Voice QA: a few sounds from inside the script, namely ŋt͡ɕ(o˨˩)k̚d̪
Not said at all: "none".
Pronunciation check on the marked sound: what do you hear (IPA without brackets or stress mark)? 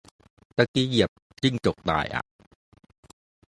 o˨˩